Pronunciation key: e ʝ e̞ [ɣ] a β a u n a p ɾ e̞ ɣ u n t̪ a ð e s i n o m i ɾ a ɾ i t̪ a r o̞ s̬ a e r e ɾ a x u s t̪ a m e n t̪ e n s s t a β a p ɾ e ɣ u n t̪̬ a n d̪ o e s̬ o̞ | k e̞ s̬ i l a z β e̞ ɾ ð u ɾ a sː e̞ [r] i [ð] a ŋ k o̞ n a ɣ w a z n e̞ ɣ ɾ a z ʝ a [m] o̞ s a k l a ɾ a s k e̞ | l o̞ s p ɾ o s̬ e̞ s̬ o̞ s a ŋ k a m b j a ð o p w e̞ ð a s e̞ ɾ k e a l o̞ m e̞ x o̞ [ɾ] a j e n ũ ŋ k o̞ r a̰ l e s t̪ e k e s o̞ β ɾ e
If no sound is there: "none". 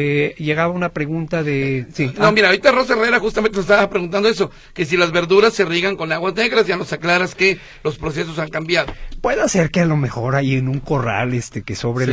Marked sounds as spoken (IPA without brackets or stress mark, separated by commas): ɣ, r, ɣ, n, ɾ